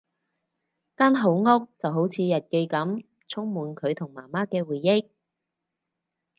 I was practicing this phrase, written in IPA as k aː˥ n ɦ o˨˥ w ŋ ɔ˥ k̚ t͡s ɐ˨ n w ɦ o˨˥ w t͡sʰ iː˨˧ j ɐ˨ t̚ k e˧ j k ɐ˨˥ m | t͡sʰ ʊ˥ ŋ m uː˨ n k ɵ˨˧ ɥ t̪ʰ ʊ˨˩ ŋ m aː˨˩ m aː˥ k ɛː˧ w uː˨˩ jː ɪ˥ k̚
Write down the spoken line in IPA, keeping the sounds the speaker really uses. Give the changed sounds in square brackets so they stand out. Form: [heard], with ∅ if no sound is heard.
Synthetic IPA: k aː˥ n ɦ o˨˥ w ŋ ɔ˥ k̚ t͡s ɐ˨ [∅] w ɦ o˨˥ w t͡sʰ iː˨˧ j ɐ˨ t̚ k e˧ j k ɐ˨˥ m | t͡sʰ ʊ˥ ŋ m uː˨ n [kʰ] ɵ˨˧ ɥ t̪ʰ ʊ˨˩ ŋ m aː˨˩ m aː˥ k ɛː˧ w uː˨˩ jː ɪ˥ k̚